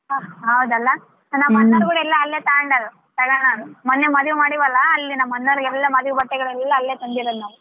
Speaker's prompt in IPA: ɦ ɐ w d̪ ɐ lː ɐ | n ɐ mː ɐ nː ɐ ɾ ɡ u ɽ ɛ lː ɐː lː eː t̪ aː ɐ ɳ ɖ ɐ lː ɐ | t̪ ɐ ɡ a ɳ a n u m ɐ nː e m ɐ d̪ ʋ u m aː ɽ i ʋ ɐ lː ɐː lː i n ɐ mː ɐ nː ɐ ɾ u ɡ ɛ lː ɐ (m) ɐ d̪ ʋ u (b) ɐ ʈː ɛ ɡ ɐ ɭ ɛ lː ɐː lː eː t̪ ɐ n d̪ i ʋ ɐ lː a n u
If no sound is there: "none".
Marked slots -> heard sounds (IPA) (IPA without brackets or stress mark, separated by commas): m, b